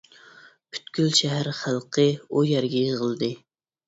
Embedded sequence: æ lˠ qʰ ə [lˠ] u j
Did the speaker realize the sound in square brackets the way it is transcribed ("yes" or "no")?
no